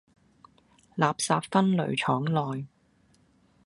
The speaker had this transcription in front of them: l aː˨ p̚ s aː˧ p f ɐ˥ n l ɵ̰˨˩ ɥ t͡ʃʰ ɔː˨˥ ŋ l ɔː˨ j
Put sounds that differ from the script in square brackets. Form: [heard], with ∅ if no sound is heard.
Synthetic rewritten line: l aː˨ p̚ s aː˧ p f ɐ˥ n l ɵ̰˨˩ ɥ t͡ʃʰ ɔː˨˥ ŋ l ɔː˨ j